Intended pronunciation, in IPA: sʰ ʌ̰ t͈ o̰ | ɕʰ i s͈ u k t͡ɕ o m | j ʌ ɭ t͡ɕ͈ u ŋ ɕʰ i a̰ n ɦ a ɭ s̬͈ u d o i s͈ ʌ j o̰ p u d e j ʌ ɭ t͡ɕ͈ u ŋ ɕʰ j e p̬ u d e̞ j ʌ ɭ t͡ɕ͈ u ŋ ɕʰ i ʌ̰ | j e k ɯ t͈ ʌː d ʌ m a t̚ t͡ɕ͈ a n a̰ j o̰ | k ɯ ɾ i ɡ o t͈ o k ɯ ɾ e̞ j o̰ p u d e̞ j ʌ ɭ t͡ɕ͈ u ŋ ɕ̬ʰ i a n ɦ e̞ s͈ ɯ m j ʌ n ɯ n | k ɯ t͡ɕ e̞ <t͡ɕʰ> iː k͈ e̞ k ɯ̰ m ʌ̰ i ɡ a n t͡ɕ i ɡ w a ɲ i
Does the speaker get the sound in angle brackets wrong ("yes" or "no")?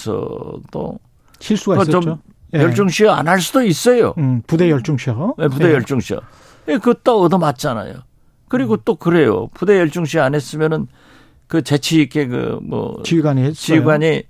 no